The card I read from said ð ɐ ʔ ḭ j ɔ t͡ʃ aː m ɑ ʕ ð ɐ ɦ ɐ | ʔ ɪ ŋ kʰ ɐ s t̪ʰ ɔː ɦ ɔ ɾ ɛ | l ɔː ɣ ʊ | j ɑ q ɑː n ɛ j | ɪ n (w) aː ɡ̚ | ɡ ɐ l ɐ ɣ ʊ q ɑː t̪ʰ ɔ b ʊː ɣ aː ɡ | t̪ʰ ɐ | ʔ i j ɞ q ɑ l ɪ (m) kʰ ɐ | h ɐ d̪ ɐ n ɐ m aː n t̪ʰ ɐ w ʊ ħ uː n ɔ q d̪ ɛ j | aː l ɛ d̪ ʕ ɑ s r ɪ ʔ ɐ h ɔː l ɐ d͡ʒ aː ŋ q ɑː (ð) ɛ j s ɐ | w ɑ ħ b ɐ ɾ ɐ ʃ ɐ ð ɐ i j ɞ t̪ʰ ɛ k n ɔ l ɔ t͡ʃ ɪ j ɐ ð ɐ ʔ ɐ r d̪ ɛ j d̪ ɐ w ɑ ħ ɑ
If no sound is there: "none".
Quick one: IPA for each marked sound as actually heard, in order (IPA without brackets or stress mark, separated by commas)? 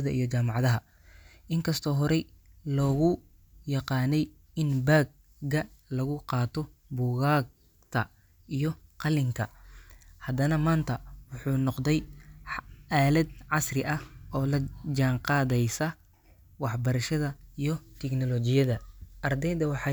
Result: b, ŋ, ð